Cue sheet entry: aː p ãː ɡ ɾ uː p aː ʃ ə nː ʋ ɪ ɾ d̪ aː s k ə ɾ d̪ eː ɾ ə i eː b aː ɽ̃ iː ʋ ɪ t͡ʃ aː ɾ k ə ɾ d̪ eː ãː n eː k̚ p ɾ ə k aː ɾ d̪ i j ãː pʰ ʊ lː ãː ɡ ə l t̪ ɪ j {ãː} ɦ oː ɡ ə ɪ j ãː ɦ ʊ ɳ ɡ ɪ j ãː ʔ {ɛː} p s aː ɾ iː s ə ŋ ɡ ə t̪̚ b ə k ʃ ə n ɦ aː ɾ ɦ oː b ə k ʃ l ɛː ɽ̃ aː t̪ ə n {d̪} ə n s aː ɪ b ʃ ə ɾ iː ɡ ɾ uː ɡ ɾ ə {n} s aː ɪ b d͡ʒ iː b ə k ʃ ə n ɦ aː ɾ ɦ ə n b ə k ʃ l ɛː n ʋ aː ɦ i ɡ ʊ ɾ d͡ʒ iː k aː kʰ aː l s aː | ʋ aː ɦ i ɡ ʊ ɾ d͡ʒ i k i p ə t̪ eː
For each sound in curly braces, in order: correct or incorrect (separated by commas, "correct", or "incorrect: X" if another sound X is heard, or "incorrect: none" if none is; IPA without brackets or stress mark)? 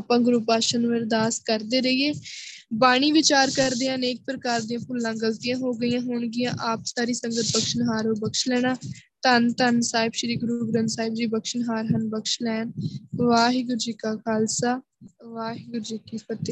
correct, incorrect: aː, incorrect: t̪, correct